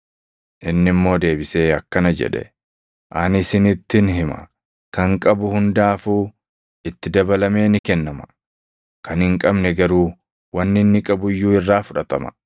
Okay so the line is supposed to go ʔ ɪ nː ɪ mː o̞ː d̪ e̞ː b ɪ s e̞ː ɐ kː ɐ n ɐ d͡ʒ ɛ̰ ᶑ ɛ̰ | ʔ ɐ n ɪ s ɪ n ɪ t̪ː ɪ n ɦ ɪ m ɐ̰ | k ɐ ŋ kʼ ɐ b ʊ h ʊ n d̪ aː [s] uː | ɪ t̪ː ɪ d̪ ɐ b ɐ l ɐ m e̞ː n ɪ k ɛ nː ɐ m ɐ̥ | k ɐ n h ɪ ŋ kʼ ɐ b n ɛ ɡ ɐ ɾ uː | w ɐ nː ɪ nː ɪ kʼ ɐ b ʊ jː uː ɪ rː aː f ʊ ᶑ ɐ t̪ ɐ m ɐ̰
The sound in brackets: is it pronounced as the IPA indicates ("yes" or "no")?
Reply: no